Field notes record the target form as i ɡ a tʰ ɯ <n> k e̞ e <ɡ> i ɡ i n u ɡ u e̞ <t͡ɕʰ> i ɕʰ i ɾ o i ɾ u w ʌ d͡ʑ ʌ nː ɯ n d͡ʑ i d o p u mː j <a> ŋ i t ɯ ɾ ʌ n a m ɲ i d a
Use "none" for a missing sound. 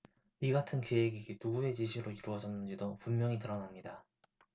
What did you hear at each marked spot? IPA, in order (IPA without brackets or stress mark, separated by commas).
n, ɡ, t͡ɕ, ʌ